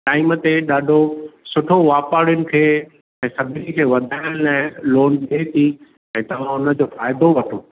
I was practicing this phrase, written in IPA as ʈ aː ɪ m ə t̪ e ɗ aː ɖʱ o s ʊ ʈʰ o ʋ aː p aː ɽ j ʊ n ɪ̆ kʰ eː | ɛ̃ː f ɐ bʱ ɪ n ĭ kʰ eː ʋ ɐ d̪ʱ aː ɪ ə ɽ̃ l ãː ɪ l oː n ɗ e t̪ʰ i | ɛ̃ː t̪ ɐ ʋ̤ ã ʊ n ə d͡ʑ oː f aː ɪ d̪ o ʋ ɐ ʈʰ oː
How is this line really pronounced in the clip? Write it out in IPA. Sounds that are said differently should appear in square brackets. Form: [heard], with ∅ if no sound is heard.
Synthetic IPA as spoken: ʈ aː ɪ m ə t̪ e ɗ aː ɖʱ o s ʊ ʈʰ o ʋ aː p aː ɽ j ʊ n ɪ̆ kʰ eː | ɛ̃ː [s] ɐ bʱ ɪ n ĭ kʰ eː ʋ ɐ d̪ʱ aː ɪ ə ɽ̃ l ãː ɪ l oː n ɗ e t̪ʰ i | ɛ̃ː t̪ ɐ ʋ̤ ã ʊ n ə d͡ʑ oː f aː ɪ d̪ o ʋ ɐ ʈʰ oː